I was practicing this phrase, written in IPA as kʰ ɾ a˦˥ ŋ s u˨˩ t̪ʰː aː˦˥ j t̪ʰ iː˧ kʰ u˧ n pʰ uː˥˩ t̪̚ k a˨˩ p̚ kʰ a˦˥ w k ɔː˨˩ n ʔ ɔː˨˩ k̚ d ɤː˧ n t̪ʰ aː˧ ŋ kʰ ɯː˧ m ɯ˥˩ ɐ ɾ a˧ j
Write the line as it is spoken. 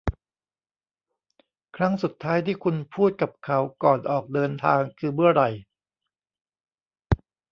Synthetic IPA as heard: kʰ ɾ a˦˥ ŋ s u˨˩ t̪ʰː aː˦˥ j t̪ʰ iː˥˩ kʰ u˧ n pʰ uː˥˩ t̪̚ k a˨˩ p̚ kʰ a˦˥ w k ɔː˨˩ n ʔ ɔː˨˩ k̚ d ɤː˧ n t̪ʰ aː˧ ŋ kʰ ɯː˧ m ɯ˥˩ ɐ ɾ a˨˩ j